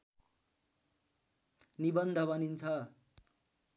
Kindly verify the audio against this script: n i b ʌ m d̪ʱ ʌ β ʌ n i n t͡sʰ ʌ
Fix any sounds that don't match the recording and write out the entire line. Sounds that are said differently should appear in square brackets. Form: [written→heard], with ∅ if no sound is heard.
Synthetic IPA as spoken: n i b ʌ [m→n] d̪ʱ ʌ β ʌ n i n t͡sʰ ʌ